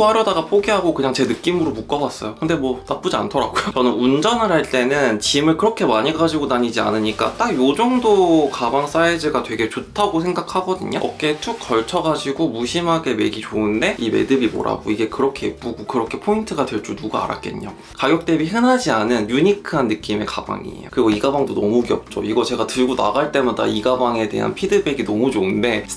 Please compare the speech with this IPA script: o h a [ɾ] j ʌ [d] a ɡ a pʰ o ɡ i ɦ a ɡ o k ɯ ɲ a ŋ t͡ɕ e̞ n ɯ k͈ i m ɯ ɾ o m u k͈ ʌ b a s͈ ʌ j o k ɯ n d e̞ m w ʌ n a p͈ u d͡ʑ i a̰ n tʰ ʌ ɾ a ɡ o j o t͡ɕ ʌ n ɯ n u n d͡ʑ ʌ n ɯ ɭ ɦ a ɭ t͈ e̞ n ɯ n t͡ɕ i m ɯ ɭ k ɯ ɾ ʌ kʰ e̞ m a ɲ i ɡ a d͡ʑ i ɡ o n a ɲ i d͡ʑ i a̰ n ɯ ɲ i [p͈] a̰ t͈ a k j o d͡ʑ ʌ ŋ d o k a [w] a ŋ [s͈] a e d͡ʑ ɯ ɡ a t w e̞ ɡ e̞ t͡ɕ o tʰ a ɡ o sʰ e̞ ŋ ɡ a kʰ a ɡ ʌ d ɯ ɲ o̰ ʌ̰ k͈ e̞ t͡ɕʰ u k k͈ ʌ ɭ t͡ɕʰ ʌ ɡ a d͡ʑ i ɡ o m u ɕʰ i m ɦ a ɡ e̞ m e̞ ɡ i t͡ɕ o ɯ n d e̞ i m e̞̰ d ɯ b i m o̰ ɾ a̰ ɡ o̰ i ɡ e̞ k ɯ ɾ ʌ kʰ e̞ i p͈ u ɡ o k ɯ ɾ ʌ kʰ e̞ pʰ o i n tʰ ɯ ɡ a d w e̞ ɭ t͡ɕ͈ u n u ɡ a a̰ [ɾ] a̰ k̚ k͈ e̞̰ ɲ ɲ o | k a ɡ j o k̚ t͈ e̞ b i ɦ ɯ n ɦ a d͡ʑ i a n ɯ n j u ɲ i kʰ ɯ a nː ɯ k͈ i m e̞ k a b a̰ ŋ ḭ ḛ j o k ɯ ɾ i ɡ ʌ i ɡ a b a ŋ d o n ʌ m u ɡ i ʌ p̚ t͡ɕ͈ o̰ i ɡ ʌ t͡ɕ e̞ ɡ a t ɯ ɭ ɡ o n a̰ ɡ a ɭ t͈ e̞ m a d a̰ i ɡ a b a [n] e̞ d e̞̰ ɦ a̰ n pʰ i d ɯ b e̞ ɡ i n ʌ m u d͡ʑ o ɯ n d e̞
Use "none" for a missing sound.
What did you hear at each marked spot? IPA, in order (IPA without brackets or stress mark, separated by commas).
ɾ, d, k͈, b, s͈, ɾ, ŋ